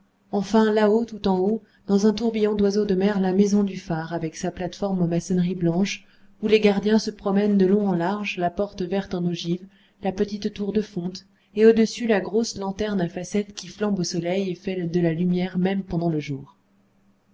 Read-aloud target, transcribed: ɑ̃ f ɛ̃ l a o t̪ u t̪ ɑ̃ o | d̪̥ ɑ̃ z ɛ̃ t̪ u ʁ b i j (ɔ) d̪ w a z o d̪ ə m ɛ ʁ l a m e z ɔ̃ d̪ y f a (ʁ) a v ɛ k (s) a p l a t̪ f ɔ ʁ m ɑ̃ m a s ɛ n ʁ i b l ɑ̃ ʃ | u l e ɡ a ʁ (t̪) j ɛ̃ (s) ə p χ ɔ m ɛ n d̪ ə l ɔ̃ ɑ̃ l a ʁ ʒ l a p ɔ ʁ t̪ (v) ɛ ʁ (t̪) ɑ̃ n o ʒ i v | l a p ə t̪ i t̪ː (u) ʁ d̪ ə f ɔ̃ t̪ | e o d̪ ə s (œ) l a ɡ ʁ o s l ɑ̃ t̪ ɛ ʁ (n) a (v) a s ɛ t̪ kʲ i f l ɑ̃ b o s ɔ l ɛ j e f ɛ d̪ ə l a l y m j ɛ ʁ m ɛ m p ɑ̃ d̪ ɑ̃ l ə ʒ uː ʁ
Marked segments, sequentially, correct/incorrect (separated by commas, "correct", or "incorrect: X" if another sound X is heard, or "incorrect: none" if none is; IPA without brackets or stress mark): incorrect: ɔ̃, correct, correct, incorrect: d̪, correct, correct, correct, correct, incorrect: y, correct, incorrect: f